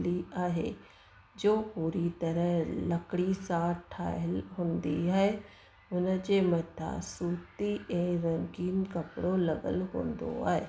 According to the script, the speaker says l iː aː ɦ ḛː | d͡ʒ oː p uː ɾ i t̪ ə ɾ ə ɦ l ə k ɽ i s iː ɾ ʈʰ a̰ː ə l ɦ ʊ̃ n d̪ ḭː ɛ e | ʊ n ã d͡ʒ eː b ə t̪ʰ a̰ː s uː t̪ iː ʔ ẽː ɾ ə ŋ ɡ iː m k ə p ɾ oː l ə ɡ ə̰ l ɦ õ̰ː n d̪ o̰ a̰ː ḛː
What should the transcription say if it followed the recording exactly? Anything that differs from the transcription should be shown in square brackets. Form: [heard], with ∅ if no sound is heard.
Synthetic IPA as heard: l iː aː ɦ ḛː | d͡ʒ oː p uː ɾ i t̪ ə ɾ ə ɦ l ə k ɽ i s [aː] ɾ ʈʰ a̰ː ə l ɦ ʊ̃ n d̪ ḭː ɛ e | ʊ n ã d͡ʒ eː [m] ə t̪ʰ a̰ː s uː t̪ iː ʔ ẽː ɾ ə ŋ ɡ iː [n] k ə p [ɽ] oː l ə ɡ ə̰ l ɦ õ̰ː n d̪ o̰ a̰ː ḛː